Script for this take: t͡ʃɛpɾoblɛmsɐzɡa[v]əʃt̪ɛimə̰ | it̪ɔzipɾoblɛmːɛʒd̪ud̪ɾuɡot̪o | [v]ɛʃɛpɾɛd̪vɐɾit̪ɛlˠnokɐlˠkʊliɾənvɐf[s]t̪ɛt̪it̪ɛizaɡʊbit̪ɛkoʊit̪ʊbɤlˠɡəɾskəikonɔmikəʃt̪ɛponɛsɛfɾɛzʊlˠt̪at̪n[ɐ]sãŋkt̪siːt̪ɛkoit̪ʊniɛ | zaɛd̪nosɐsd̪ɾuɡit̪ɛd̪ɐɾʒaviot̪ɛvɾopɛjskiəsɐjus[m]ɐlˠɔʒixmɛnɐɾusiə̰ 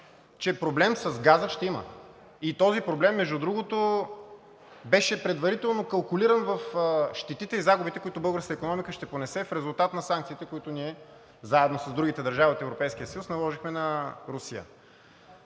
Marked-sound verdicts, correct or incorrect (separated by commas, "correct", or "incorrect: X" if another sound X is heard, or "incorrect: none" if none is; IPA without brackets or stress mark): incorrect: z, incorrect: b, incorrect: ʃ, correct, incorrect: n